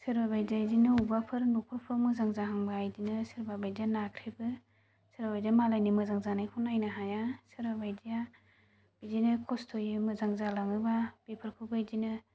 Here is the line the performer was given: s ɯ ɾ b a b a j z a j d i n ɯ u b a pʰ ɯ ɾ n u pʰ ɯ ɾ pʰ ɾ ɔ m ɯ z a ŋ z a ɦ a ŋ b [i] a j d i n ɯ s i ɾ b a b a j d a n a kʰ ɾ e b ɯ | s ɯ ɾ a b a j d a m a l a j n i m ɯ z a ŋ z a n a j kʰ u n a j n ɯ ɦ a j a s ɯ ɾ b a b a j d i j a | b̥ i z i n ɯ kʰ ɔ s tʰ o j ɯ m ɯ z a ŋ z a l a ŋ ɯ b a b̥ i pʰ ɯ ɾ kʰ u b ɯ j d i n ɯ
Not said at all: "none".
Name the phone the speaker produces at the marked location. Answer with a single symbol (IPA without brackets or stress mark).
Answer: a